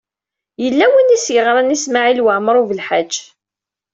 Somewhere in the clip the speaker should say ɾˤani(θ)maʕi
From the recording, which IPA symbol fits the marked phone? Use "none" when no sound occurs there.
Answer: s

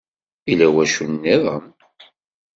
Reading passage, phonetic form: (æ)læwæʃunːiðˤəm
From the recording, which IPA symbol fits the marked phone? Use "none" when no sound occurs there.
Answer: i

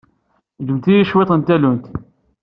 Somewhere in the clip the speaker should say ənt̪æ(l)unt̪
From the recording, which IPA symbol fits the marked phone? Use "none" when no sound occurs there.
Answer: l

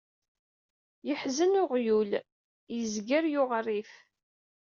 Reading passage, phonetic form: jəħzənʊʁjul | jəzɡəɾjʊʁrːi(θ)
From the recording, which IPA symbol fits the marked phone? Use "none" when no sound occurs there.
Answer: f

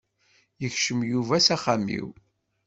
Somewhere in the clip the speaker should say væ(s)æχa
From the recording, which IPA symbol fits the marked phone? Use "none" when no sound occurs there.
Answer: s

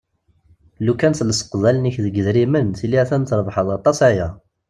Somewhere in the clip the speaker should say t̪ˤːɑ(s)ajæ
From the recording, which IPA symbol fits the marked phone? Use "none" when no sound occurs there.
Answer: s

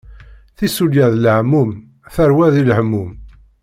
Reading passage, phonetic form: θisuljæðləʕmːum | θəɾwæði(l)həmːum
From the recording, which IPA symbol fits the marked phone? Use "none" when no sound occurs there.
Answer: l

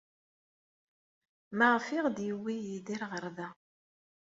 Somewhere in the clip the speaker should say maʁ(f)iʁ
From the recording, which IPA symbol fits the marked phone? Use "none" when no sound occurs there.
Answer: f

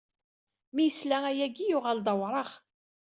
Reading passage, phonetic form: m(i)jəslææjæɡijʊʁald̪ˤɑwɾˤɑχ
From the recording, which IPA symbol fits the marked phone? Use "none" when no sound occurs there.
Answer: i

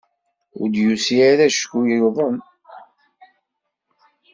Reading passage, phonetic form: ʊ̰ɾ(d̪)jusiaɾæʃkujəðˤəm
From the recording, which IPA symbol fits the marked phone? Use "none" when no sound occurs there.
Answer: d̪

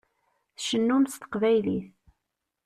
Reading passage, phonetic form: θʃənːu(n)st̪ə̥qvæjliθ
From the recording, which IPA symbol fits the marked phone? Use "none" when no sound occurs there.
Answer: m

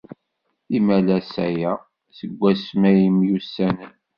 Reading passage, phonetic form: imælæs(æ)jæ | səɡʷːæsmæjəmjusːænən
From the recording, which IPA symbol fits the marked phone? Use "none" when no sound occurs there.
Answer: æ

